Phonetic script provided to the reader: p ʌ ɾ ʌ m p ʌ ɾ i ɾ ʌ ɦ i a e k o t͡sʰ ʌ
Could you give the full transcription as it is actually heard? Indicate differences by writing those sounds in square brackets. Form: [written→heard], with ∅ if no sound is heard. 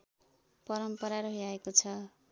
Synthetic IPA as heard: p ʌ ɾ ʌ m p ʌ ɾ [i→a] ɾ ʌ ɦ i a e k o t͡sʰ ʌ